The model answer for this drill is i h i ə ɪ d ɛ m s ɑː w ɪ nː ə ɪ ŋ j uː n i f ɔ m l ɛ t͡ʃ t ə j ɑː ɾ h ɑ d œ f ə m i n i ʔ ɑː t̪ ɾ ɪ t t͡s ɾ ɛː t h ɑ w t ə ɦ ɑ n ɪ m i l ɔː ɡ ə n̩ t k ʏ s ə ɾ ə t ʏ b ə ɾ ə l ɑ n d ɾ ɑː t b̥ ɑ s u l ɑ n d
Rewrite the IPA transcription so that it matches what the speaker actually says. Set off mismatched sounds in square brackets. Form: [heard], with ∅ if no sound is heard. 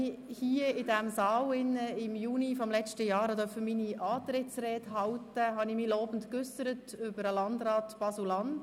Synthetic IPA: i h i ə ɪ d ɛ m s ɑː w ɪ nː ə ɪ [m] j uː n i f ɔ m l ɛ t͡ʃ t ə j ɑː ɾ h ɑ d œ f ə m i n i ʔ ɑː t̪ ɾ ɪ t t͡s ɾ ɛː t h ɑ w t ə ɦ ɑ n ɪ m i l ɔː [b] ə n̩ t k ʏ s ə ɾ ə t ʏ b ə ɾ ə l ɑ n d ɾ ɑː t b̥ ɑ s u l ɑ n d